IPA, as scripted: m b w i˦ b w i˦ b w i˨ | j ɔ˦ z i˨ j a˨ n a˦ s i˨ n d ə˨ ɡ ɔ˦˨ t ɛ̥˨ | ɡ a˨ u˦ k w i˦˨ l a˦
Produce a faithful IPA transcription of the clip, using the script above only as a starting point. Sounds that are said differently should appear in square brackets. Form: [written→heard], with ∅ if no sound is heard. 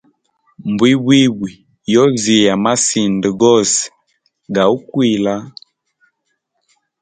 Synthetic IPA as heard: m b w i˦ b w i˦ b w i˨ | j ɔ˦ z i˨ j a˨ [n→m] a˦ s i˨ n d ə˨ ɡ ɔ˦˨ [t→s] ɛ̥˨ | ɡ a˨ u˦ k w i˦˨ l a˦